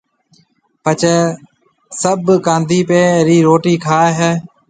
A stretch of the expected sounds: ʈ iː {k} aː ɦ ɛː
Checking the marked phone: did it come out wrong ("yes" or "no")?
yes